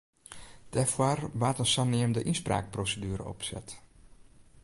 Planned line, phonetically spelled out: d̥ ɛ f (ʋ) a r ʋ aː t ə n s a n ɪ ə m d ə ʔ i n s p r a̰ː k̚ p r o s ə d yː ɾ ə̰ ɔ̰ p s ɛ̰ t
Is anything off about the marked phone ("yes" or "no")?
yes